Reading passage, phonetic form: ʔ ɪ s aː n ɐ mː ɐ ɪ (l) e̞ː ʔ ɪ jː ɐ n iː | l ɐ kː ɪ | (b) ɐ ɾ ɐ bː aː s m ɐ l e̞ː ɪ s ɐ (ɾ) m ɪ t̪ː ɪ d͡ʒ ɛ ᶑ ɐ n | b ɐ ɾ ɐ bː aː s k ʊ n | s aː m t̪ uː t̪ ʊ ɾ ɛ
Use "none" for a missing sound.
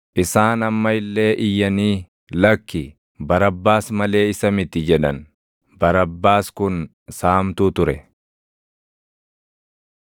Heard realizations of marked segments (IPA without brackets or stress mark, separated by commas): lː, b, none